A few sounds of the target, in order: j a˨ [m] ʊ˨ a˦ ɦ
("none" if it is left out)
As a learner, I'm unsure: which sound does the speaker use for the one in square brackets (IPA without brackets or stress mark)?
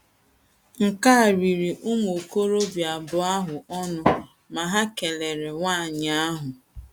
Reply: b